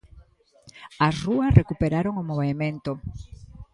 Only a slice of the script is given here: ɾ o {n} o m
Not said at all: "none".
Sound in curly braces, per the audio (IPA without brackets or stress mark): ŋ